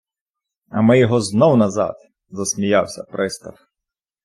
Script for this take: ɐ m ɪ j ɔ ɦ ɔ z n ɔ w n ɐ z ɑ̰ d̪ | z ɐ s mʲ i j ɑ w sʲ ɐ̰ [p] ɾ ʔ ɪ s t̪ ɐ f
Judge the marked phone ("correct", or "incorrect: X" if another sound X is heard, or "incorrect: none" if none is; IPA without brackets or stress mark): correct